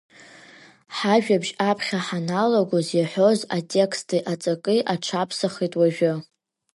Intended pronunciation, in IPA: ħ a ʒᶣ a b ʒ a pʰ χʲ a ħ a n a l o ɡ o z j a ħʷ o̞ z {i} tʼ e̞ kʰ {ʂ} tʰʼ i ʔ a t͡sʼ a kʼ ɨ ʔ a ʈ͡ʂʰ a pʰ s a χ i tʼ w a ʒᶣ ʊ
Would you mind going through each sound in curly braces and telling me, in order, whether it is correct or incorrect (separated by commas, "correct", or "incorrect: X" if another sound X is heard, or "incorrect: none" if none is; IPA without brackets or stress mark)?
incorrect: a, incorrect: s